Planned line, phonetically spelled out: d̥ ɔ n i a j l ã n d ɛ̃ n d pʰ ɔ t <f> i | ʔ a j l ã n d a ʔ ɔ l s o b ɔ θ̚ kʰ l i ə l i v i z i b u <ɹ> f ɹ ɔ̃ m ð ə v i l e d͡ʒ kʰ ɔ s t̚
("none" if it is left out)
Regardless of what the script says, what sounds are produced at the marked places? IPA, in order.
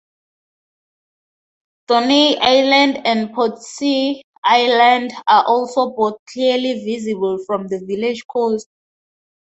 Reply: s, l

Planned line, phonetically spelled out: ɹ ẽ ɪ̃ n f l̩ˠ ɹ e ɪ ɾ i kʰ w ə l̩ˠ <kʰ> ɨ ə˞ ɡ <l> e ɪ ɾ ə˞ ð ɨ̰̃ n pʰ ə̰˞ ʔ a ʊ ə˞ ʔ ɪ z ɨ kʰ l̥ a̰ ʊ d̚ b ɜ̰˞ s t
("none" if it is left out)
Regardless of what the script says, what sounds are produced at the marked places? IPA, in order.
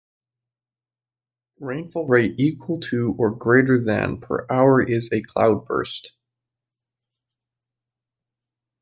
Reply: tʰ, ɹ

